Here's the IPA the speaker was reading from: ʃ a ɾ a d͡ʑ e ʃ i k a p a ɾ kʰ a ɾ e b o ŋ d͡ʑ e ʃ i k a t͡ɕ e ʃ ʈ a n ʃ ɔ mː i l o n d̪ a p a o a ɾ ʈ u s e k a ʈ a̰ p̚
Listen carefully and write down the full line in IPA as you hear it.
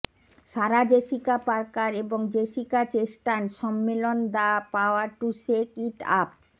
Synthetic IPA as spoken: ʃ a ɾ a d͡ʑ e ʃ i k a p a ɾ k a ɾ e b o ŋ d͡ʑ e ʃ i k a t͡ɕ e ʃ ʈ a n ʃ ɔ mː e l o n d̪ a p a o a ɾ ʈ u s e k i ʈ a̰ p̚